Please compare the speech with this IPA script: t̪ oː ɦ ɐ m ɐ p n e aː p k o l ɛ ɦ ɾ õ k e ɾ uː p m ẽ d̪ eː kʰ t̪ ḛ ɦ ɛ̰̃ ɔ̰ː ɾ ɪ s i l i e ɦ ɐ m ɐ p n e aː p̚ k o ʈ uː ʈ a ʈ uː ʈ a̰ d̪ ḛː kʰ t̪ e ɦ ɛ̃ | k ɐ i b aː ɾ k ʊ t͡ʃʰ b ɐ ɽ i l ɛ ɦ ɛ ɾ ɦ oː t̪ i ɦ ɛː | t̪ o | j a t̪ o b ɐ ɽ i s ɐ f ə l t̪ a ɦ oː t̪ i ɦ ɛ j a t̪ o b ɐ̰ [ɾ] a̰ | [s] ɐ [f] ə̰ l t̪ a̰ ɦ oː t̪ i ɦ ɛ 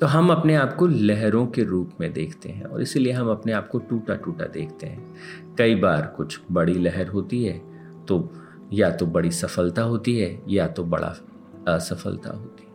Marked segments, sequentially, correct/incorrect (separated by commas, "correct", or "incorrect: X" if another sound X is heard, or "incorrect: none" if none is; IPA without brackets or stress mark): incorrect: ɽ, correct, correct